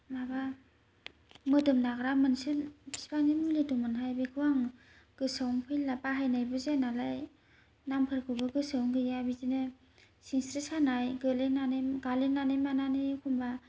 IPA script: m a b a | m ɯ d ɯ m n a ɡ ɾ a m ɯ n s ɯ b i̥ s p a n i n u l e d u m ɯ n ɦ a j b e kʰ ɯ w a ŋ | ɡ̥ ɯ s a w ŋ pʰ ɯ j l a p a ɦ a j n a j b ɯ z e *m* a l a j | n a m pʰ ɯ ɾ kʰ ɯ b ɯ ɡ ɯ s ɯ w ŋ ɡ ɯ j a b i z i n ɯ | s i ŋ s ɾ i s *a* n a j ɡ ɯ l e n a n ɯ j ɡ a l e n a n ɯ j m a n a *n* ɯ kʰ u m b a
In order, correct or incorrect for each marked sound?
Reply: incorrect, correct, correct

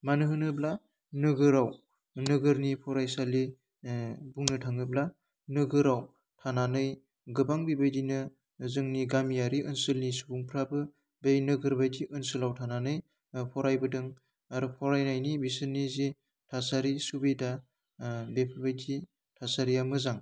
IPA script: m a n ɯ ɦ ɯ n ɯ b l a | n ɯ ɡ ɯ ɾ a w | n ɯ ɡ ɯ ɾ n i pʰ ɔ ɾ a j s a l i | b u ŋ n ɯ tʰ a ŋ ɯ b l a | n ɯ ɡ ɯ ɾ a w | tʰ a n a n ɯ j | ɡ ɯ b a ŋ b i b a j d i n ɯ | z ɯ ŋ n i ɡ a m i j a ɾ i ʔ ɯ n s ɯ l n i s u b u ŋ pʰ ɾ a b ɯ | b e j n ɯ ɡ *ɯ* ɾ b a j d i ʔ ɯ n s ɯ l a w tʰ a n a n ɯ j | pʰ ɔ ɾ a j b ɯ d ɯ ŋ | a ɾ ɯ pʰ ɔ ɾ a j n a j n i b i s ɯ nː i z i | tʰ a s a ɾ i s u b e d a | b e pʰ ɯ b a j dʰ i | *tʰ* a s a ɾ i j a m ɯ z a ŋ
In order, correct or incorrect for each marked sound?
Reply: correct, correct

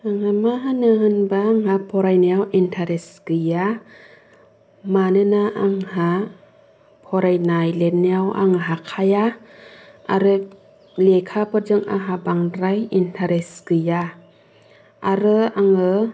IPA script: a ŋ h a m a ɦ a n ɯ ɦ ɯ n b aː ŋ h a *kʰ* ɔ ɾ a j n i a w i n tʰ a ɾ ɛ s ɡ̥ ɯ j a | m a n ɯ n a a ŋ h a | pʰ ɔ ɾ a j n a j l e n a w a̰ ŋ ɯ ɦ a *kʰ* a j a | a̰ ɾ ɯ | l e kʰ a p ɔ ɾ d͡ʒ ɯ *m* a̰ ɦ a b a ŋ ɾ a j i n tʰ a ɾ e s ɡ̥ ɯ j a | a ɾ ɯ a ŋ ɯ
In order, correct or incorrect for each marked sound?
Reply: incorrect, correct, incorrect

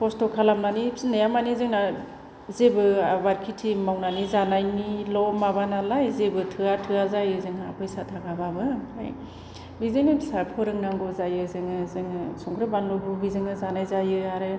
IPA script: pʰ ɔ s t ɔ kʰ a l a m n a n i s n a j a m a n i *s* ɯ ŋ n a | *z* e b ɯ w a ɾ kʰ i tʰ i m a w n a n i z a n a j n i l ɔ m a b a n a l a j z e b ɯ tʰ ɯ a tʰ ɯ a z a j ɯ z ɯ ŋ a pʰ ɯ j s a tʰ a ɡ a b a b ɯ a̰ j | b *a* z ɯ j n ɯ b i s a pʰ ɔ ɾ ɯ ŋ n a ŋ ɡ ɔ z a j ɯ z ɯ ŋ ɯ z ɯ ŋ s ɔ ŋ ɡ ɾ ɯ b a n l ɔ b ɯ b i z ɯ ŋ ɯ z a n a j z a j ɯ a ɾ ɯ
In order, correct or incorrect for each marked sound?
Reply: incorrect, correct, incorrect

